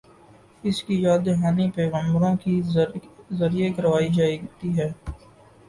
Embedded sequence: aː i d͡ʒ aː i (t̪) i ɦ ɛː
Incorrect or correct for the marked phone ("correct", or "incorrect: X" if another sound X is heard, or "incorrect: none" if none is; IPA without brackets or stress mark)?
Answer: correct